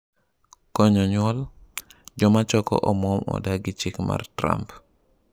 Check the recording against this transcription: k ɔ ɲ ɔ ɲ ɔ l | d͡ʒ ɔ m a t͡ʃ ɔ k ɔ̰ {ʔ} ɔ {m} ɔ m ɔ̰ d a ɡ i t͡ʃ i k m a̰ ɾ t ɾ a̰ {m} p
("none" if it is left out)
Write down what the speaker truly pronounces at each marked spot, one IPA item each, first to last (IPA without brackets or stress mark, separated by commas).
ʔ, m, m